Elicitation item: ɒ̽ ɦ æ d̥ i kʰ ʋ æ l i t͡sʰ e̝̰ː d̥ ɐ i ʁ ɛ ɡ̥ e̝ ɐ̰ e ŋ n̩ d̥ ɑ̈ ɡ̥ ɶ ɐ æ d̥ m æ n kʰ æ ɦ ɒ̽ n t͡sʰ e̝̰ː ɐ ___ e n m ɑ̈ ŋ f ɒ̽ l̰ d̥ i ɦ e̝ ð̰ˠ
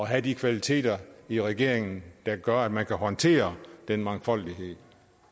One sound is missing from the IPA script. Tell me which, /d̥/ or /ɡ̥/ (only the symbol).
d̥